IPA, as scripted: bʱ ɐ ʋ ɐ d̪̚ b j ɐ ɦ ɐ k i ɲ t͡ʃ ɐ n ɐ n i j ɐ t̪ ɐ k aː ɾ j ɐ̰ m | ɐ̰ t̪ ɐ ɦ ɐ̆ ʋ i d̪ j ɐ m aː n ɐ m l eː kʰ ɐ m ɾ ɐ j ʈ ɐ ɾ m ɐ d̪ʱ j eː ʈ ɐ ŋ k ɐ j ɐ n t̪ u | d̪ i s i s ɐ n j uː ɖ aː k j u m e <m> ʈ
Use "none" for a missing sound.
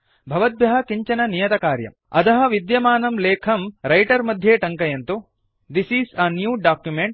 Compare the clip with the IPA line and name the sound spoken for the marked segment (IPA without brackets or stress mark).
ɳ